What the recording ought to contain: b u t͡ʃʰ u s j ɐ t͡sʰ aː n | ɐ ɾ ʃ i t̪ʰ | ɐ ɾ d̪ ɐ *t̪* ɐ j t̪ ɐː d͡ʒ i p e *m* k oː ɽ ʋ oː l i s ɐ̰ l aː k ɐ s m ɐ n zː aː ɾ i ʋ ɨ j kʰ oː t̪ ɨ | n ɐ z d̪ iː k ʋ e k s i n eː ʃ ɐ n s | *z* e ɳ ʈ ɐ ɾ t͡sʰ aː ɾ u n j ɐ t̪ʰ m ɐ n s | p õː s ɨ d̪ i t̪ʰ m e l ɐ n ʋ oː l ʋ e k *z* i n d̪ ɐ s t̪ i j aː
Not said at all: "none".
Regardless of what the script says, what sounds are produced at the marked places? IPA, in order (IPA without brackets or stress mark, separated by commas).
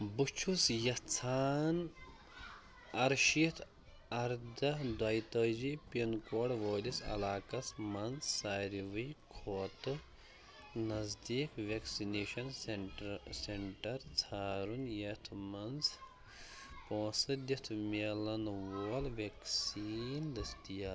d̪, n, s, s